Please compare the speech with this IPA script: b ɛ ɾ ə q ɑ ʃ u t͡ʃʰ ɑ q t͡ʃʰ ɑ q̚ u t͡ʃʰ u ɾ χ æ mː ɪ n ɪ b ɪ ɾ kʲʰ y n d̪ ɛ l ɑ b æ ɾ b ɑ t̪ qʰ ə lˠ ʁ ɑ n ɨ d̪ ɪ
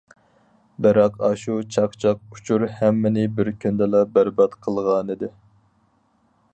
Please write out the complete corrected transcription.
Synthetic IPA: b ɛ ɾ ɑ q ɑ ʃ u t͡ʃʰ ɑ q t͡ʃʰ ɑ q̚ u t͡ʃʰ u ɾ h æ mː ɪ n ɪ b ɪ ɾ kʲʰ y n d̪ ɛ l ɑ b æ ɾ b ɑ t̪ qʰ ə lˠ ʁ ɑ n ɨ d̪ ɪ